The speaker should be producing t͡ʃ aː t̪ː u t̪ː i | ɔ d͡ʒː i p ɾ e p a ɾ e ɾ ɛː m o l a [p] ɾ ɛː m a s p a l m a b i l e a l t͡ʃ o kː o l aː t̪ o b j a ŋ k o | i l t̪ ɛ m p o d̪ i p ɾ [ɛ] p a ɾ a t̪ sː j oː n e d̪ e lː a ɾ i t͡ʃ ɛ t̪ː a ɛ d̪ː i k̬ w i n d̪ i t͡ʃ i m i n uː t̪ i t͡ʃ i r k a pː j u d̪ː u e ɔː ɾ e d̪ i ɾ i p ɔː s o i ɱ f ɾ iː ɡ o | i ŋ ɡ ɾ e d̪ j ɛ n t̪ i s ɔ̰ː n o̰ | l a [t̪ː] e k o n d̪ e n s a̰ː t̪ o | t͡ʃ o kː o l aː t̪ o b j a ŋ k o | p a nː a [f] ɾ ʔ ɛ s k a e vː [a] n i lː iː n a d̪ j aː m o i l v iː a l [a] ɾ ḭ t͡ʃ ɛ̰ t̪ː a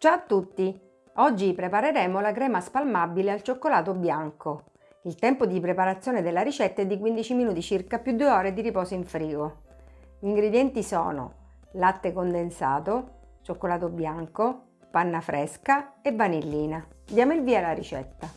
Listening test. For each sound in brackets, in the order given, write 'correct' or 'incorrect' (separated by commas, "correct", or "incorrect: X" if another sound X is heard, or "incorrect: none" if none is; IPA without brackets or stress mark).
incorrect: k, incorrect: e, correct, correct, correct, correct